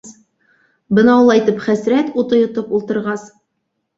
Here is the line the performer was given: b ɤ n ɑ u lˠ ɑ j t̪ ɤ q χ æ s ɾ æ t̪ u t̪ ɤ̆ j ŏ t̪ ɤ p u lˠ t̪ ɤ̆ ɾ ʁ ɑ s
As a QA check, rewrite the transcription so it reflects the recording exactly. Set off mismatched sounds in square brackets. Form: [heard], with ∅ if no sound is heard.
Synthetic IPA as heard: b ɤ n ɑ u lˠ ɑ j t̪ ɤ [p] χ æ s ɾ æ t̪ u t̪ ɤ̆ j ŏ t̪ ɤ p u lˠ t̪ ɤ̆ ɾ ʁ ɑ s